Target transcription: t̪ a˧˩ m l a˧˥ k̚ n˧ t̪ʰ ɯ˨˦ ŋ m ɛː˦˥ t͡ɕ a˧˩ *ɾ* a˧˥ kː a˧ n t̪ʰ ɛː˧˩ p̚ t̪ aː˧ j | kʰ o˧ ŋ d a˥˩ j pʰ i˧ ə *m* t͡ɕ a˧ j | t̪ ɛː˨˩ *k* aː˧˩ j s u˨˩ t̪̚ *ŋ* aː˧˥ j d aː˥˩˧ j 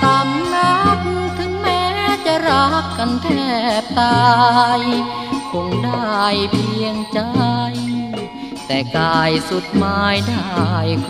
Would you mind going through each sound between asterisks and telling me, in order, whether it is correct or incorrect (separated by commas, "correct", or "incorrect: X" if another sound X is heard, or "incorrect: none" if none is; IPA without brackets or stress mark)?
correct, incorrect: ŋ, correct, incorrect: m